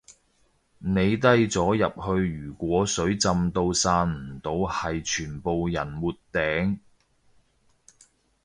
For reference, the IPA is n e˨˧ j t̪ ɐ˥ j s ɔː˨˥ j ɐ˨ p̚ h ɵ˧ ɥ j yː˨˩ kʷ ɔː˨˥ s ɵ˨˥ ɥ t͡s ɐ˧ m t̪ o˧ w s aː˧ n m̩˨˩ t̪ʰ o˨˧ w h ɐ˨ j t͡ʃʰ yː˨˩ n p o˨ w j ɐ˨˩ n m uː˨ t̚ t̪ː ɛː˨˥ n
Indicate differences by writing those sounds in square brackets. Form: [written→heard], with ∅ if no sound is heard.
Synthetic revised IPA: n e˨˧ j t̪ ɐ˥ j [s→t͡s] ɔː˨˥ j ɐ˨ p̚ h ɵ˧ ɥ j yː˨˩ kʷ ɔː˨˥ s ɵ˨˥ ɥ t͡s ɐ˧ m t̪ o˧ w s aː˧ n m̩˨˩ [t̪ʰ→t̪] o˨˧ w h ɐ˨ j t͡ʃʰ yː˨˩ n p o˨ w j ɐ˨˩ n m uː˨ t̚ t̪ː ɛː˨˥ [n→ŋ]